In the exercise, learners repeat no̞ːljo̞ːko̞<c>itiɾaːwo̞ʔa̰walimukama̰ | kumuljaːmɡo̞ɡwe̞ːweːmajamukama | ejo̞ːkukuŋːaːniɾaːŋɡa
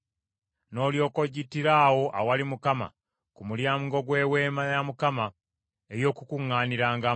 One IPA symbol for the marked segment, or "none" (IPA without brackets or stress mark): ɟ